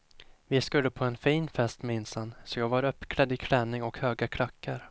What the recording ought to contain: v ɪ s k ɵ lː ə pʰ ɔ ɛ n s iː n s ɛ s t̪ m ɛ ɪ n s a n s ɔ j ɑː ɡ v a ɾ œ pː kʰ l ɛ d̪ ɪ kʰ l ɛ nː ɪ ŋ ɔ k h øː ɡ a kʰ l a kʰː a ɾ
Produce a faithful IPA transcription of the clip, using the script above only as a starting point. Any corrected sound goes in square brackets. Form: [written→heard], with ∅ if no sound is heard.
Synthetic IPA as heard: v ɪ s k ɵ lː ə pʰ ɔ ɛ n [s→f] iː n [s→f] ɛ s t̪ m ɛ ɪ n s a n s ɔ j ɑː ɡ v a ɾ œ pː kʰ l ɛ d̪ ɪ kʰ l ɛ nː ɪ ŋ ɔ k h øː ɡ a kʰ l a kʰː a ɾ